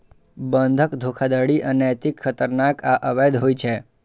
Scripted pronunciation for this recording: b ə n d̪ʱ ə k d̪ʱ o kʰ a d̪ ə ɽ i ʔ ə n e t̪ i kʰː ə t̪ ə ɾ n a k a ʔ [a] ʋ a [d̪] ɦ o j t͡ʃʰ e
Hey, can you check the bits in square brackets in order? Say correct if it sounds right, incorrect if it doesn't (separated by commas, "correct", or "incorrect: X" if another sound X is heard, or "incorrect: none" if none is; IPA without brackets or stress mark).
incorrect: ə, correct